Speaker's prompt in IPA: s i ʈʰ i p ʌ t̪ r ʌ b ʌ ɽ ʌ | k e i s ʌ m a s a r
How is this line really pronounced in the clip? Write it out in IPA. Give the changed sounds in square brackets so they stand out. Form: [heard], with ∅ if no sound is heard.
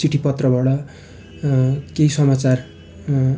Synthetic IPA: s i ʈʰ i p ʌ t̪ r ʌ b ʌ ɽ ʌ | k e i s ʌ m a [t͡s] a r